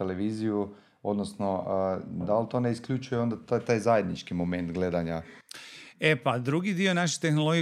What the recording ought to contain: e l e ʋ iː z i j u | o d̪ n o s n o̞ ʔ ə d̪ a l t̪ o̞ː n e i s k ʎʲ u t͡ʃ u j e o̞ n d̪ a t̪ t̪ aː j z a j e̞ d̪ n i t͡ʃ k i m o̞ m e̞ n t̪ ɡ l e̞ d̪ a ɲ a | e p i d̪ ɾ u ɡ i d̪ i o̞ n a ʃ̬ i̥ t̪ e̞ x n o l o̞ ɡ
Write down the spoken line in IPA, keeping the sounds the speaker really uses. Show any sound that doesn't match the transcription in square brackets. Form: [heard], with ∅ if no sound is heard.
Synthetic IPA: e l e ʋ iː z i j u | o d̪ n o s n o̞ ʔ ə d̪ a l t̪ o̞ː n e i s k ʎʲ u t͡ʃ u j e o̞ n d̪ a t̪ t̪ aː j z a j e̞ d̪ n i t͡ʃ k i m o̞ m e̞ n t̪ ɡ l e̞ d̪ a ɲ a | e p [a] d̪ ɾ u ɡ i d̪ i o̞ n a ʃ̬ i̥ t̪ e̞ x n o l o̞ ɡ